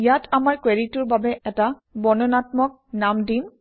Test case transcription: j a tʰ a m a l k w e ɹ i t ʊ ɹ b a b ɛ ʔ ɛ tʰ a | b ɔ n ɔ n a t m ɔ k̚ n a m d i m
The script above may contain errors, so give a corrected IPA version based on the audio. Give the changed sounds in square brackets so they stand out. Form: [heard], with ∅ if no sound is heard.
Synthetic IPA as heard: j a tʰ a m a [ɹ] k w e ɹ i t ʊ ɹ b a b ɛ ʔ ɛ [t] a | b ɔ n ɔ n a t m ɔ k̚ n a m d i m